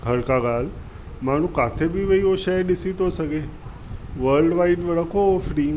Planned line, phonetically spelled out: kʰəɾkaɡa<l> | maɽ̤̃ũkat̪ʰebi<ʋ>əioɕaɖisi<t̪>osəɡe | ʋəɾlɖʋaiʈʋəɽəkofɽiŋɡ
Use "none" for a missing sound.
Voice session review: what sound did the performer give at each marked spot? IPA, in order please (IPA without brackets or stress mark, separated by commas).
l, ʋ, t̪